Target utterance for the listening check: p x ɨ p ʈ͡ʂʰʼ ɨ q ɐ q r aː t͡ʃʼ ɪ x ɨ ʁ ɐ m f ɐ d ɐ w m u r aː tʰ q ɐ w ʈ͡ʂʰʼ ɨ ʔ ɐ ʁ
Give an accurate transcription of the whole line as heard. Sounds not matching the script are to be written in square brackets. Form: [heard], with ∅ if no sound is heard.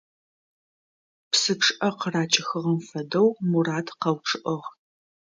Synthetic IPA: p [s] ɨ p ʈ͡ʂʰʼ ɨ [ʔ] ɐ q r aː t͡ʃʼ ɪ x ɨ ʁ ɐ m f ɐ d ɐ w m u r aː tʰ q ɐ w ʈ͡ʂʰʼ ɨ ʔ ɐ ʁ